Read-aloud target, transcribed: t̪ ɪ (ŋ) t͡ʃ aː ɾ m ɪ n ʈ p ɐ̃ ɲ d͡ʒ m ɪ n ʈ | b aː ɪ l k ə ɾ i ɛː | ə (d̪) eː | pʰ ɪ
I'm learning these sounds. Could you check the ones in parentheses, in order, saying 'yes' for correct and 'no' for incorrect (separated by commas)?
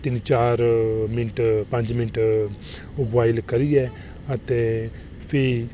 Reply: no, no